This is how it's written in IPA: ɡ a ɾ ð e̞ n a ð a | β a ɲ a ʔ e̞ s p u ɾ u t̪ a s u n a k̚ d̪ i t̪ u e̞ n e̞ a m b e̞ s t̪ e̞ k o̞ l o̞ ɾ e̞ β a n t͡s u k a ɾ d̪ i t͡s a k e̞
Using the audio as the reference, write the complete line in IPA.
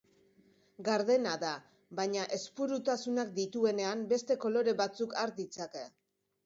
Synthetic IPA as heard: ɡ a ɾ ð e̞ n a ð a | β a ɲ a ʔ e̞ s p u ɾ u t̪ a s u n a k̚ d̪ i t̪ u e̞ n e̞ a m b e̞ s t̪ e̞ k o̞ l o̞ ɾ e̞ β a t͡s u k a ɾ d̪ i t͡s a k e̞

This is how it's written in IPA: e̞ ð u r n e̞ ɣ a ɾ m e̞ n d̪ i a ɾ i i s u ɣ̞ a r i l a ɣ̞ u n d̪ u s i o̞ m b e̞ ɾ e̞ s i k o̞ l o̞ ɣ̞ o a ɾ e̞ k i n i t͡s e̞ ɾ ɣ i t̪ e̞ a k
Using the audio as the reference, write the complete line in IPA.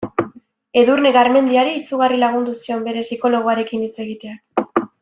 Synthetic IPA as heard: e̞ ð u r n e̞ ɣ a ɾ m e̞ n d̪ i a ɾ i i s u ɣ̞ a r i l a ɣ̞ u n d̪ u s i o̞ m b e̞ ɾ e̞ s i k o̞ l o̞ ɣ̞ o a ɾ e̞ k i n i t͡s e̞ ɣ i t̪ e̞ a k

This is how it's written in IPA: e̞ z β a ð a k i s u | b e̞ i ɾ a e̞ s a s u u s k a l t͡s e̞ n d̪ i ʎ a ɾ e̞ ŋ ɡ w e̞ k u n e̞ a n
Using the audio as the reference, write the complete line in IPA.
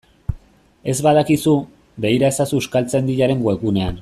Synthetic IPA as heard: e̞ z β a ð a k i s u | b e̞ i ɾ a e̞ s a s u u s k a l t͡s e̞ n d̪ i ʎ a ɾ e̞ ŋ ɡ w e̞ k u n e̞ a n

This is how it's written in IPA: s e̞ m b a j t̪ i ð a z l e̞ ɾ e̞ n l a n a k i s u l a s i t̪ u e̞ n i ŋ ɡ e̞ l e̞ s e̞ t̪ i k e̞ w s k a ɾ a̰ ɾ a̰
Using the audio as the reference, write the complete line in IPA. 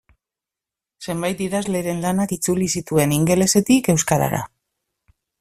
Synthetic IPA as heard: s e̞ m b a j t̪ i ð a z l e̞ ɾ e̞ n l a n a k i t͡s u l i s i t̪ u e̞ n i ŋ ɡ e̞ l e̞ s e̞ t̪ i k e̞ w s k a ɾ a̰ ɾ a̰

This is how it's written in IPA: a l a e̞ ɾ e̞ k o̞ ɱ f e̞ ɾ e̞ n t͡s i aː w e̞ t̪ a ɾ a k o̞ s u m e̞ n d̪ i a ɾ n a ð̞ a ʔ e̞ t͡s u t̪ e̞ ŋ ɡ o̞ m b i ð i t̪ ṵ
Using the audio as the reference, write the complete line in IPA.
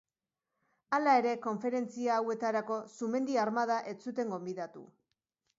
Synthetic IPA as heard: a l a e̞ ɾ e̞ k o̞ ɱ f e̞ ɾ e̞ n t͡s i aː w e̞ t̪ a ɾ a k o̞ s u m e̞ n d̪ i a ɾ m a ð̞ a ʔ e̞ t͡s u t̪ e̞ ŋ ɡ o̞ m b i ð a t̪ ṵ

